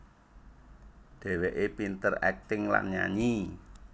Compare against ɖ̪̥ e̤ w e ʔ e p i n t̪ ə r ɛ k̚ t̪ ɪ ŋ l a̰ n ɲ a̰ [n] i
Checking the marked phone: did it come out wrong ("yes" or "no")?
yes